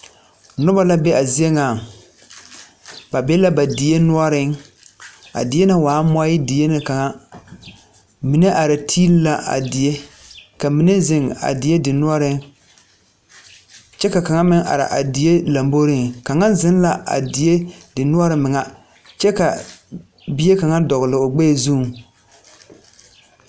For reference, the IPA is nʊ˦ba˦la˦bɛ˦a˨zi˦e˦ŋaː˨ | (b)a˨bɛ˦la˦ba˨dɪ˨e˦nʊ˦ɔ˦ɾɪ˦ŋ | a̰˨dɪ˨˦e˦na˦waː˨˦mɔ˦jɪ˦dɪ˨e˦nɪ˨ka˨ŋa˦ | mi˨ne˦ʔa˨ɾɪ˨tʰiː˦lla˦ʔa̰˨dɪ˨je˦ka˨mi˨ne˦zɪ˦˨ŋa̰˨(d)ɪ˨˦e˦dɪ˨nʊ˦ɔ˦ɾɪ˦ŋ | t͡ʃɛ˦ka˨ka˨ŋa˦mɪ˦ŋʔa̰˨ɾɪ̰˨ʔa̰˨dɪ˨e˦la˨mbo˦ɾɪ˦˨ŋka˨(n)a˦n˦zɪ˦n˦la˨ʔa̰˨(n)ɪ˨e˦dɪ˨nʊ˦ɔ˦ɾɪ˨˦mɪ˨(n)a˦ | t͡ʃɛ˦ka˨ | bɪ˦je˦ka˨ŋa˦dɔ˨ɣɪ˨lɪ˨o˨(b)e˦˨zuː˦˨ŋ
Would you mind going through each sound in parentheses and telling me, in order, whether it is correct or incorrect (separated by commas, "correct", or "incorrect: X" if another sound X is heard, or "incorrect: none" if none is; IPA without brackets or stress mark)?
correct, correct, incorrect: ŋ, incorrect: d, incorrect: ŋ, incorrect: ɡ͡b